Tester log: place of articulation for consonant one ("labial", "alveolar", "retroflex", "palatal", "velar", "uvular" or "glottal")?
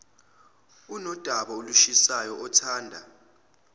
alveolar